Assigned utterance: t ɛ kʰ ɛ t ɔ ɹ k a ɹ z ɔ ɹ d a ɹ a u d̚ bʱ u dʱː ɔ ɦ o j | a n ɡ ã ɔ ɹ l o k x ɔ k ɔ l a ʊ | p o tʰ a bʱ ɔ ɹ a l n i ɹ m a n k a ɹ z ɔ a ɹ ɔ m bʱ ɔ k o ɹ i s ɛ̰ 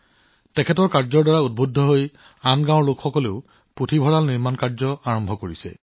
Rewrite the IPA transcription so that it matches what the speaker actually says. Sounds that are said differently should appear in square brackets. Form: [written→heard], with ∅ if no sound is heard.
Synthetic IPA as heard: t ɛ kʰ ɛ t ɔ ɹ k a ɹ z ɔ ɹ d a ɹ a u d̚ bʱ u dʱː ɔ ɦ o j | a n ɡ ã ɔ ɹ l o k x ɔ k ɔ l [a→e] ʊ | p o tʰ [a→i] bʱ ɔ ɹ a l n i ɹ m a n k a ɹ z ɔ a ɹ ɔ m bʱ ɔ k o ɹ i s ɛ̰

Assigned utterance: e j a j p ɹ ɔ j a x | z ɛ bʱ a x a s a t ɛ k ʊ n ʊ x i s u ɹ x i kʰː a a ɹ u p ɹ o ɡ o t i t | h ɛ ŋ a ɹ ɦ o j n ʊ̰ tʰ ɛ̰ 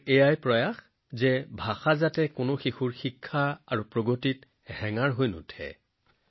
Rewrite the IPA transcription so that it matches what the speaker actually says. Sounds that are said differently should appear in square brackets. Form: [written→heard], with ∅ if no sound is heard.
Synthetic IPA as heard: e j a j p ɹ ɔ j a x | z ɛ bʱ a x a [s→z] a t ɛ k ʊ n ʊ x i [s→x] u ɹ x i kʰː a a ɹ u p ɹ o ɡ o t i t | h ɛ ŋ a ɹ ɦ o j n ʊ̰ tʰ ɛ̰

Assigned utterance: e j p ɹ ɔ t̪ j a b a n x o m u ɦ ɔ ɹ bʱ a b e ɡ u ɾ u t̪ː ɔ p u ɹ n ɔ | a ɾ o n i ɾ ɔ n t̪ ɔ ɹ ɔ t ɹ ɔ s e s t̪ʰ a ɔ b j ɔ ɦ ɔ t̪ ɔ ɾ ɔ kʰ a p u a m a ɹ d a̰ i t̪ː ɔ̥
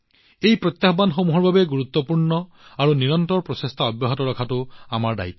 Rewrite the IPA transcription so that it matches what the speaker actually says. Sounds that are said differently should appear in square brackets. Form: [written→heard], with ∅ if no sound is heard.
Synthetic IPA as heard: e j p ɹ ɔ t̪ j a b a n x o m u ɦ ɔ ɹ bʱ a b e ɡ u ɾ u t̪ː ɔ p u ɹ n ɔ | a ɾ [o→u] n i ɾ ɔ n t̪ ɔ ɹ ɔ [t→p] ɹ ɔ s e s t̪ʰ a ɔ b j ɔ ɦ ɔ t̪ ɔ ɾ ɔ kʰ a [p→t] u a m a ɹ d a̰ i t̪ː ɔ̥

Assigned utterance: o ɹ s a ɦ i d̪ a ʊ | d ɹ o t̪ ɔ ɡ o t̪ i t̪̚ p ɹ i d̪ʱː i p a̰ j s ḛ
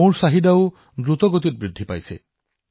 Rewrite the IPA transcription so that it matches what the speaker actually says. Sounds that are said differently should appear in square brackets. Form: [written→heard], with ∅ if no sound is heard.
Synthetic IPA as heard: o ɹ s a ɦ i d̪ a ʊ | d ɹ [o→u] t̪ ɔ ɡ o t̪ i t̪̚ [p→b] ɹ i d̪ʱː i p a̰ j s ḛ

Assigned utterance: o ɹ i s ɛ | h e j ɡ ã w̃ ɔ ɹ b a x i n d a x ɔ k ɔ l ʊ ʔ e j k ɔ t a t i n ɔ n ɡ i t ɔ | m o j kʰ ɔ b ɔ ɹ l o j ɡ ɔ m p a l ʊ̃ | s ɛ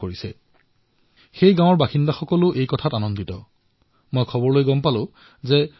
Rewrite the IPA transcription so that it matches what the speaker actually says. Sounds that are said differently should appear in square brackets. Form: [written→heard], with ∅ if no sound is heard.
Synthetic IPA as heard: o ɹ i s ɛ | [h→x] e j ɡ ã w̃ ɔ ɹ b a x i n d a x ɔ k ɔ l ʊ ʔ e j k ɔ [t→tʰ] a t [i→a] n ɔ n [ɡ→d] i t ɔ | m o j kʰ ɔ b ɔ ɹ l o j ɡ ɔ m p a l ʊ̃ | [s→z] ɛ

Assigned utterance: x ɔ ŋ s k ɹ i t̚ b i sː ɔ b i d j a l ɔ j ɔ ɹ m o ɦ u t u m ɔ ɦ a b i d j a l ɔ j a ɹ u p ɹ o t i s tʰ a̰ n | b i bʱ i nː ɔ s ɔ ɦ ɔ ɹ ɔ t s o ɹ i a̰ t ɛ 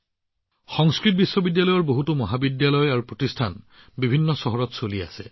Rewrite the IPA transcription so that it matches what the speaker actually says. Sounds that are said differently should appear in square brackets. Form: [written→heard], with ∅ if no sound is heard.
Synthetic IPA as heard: x ɔ ŋ s k ɹ i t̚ b i sː ɔ b i d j a l ɔ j ɔ ɹ [m→b] o ɦ u t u m ɔ ɦ a b i d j a l ɔ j a ɹ u p ɹ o t i s tʰ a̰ n | b i bʱ i nː ɔ s ɔ ɦ ɔ ɹ ɔ t s o [ɹ→l] i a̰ [t→s] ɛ

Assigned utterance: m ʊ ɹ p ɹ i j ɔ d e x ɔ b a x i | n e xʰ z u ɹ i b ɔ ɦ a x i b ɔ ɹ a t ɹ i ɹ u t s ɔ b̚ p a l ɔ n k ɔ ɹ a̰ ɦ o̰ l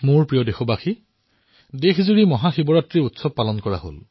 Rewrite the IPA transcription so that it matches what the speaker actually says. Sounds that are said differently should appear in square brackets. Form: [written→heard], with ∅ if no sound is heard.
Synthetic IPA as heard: m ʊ ɹ p ɹ i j ɔ d e x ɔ b a x i | [n→d] e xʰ z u ɹ i [b→m] ɔ ɦ a x i b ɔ ɹ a t ɹ i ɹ u t s ɔ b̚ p a l ɔ n k ɔ ɹ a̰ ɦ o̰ l

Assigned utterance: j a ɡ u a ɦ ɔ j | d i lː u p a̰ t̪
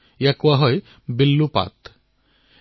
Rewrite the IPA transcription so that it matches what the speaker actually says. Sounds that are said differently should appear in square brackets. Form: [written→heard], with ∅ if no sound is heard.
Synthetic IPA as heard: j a [ɡ→k] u a ɦ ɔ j | [d→b] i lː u p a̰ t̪

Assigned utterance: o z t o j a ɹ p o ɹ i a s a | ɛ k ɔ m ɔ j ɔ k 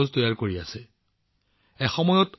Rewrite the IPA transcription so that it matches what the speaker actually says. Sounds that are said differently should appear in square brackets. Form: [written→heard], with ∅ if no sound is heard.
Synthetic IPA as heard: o z t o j a ɹ [p→k] o ɹ i a s [a→ɛ] | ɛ [k→x] ɔ m ɔ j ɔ [k→t]

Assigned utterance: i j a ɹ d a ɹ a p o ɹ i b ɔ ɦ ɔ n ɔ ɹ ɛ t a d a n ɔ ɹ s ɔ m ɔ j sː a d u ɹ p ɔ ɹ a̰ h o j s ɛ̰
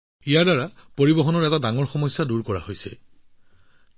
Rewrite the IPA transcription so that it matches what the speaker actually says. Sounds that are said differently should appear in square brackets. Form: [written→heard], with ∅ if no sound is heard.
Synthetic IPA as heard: i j a ɹ d a ɹ a p o ɹ i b ɔ ɦ ɔ n ɔ ɹ ɛ t a d a [n→ŋ] ɔ ɹ [s→x] ɔ m ɔ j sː a d u ɹ [p→k] ɔ ɹ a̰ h o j s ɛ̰

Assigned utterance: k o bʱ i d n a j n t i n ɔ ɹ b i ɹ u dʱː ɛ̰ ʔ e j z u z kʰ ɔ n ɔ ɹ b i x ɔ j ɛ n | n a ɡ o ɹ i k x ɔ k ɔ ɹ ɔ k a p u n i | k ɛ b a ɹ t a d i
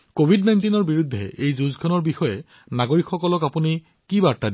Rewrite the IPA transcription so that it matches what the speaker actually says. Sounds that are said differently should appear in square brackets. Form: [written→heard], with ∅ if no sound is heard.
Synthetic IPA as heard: k o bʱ i d n a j n t i n ɔ ɹ b i ɹ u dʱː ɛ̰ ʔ e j z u z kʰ ɔ n ɔ ɹ b i x ɔ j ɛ [n→∅] | n a ɡ o ɹ i k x ɔ k ɔ [ɹ→l] ɔ k a p u n i | k [ɛ→i] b a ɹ t a d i

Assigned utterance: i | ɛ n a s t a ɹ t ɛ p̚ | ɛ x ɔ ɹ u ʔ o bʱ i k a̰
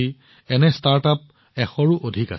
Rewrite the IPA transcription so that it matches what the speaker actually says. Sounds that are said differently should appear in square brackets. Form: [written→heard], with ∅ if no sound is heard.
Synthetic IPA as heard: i | ɛ n [a→ɛ] s t a ɹ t [ɛ→a] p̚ | ɛ x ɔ ɹ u ʔ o [bʱ→dʱ] i k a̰

